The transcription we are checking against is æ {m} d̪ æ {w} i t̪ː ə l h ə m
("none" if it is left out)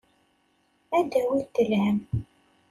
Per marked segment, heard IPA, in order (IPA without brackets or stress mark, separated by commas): none, w